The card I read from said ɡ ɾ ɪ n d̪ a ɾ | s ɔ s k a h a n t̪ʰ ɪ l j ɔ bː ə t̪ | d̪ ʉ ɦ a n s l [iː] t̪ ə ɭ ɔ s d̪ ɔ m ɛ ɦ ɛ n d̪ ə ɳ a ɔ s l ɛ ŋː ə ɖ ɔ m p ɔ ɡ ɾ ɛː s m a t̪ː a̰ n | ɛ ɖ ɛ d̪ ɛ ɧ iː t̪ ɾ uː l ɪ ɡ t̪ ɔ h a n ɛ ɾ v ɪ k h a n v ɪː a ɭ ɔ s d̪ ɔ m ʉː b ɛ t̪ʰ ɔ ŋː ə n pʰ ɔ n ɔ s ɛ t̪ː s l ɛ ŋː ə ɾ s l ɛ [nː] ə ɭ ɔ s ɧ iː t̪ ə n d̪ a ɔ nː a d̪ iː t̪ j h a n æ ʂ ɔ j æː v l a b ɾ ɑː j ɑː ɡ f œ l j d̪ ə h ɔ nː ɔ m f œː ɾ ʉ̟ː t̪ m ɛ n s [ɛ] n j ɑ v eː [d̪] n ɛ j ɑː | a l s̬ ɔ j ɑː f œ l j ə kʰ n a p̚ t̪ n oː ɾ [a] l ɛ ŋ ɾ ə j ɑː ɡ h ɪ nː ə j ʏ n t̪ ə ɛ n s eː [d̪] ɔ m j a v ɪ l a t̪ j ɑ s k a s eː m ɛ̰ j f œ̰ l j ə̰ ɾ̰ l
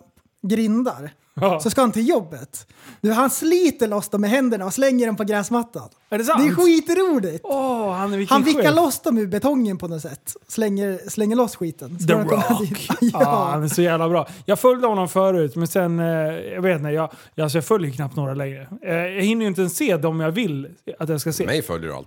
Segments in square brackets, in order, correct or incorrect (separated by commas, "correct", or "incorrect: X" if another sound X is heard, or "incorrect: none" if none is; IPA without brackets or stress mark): correct, incorrect: ŋː, correct, incorrect: t̪, correct, correct